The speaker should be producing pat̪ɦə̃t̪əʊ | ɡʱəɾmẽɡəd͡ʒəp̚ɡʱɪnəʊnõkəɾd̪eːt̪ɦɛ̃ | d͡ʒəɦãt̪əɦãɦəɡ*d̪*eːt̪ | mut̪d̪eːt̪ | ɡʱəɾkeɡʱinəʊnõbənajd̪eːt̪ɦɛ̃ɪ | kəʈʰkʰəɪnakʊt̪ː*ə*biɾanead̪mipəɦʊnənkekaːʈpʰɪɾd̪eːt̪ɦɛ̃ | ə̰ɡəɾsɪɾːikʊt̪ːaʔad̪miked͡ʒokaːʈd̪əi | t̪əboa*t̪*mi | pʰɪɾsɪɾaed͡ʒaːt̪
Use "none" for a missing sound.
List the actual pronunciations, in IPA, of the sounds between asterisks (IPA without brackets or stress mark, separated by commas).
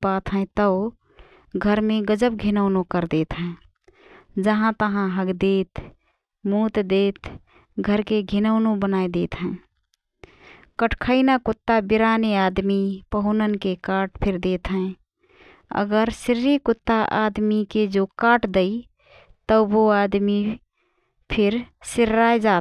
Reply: d̪, a, d̪